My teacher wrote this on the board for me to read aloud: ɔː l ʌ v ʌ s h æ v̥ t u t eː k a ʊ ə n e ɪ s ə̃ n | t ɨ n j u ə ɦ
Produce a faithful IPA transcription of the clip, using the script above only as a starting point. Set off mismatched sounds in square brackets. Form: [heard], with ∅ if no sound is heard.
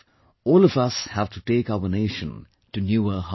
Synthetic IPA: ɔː l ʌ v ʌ s h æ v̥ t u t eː k a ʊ ə n e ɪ [ʃ] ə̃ n | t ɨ n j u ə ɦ

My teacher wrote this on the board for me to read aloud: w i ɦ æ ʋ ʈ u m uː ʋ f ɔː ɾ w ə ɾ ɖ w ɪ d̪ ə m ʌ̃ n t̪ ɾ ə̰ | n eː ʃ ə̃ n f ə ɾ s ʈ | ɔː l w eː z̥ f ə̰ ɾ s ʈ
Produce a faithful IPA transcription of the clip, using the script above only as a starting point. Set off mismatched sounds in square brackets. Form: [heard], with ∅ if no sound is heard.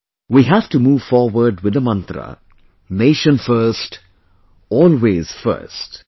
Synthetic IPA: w i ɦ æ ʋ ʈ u m uː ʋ f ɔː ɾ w ə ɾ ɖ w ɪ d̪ ə m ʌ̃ n t̪ ɾ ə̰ | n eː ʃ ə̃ n f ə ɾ s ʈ | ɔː l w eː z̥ f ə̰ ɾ s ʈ

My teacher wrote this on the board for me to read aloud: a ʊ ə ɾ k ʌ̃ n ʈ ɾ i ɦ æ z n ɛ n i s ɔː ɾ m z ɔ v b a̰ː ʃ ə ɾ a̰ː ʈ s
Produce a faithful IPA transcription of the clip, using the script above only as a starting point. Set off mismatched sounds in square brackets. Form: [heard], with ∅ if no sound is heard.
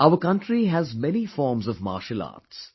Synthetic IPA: a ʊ ə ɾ k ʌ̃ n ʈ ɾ i ɦ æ z [m] ɛ n i [f] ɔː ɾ m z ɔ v [m] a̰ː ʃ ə [l] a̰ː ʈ s

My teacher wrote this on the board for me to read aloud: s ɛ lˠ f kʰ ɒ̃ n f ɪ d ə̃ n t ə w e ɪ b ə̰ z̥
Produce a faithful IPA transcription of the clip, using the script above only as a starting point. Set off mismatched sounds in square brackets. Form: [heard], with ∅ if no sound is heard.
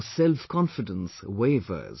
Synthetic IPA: s ɛ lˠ f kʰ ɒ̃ n f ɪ d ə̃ n [s] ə w e ɪ [v] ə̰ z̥

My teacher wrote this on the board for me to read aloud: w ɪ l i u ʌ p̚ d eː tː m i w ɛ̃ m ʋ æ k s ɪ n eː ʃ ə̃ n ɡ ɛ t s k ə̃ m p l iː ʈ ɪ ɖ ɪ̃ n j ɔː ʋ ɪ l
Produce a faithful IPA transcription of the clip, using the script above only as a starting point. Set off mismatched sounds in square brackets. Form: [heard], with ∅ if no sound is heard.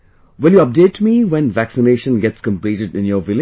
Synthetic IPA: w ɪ l [j] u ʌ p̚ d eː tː m i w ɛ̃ [n] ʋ æ k s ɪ n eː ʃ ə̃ n ɡ ɛ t s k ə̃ m p l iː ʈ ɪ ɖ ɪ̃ n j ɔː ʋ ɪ l

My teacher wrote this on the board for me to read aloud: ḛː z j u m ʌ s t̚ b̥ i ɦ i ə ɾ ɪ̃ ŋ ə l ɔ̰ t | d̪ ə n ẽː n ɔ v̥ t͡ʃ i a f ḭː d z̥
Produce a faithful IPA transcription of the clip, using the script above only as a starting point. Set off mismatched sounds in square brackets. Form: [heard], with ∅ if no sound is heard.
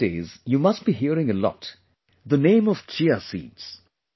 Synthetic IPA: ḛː z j u m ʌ s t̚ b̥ i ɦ i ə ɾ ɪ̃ ŋ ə l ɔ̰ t | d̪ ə n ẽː [m] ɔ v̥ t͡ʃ i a [s] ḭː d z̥

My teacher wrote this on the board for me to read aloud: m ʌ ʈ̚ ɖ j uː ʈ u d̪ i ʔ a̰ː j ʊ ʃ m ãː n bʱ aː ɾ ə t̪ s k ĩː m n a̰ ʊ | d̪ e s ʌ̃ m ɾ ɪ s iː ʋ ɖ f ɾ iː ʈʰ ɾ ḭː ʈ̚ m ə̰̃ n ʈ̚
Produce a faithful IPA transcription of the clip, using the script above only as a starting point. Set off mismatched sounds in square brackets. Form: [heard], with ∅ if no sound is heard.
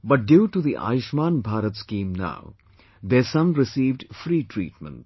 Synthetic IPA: [b] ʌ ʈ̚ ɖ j uː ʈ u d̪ i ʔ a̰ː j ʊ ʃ m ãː n bʱ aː ɾ ə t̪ s k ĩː m n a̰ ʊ | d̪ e s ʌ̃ m ɾ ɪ s iː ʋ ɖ f ɾ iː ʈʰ ɾ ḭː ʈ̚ m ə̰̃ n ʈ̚

